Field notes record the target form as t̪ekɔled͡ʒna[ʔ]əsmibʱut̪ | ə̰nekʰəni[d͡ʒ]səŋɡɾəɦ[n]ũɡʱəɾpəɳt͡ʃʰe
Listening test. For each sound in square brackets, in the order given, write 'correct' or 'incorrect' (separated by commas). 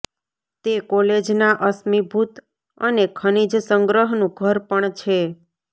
correct, correct, correct